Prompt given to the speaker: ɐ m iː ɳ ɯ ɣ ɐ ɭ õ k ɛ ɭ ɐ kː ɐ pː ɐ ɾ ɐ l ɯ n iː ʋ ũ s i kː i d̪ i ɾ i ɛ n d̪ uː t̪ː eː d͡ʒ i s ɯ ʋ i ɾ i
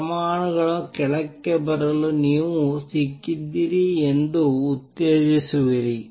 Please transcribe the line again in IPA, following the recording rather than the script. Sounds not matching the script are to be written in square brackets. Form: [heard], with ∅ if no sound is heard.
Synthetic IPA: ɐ m [aː] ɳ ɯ ɣ ɐ ɭ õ k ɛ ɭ ɐ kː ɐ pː ɐ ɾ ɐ l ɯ n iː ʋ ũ s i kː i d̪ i ɾ i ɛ n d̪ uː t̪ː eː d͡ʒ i s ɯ ʋ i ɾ i